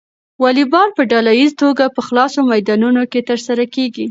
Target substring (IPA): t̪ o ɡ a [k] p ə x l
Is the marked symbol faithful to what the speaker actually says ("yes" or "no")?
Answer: no